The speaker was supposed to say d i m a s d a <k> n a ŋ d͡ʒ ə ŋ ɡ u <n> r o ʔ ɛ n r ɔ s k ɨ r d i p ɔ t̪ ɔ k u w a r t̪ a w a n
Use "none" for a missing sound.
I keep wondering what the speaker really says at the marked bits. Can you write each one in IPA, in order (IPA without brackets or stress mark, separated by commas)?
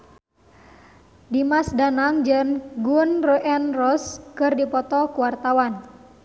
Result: none, n